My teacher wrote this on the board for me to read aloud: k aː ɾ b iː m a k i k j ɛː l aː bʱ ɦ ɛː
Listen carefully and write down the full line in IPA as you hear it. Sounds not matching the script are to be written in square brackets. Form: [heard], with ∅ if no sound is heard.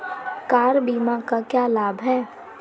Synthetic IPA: k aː ɾ b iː m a k [a] k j [aː] l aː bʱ ɦ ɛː